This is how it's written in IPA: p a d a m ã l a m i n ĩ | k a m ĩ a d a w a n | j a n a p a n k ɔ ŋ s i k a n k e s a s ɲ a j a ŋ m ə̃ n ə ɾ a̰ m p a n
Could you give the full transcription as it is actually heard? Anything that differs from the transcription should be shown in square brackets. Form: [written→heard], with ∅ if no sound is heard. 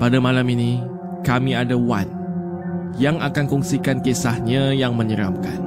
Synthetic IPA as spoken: p a d a m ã l a m i n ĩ | k a m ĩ a d a w a n | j a [n→ŋ] a [p→k] a n k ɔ ŋ s i k a n k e s a [s→h] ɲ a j a ŋ m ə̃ [n→ɲ] ə ɾ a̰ m [p→k] a n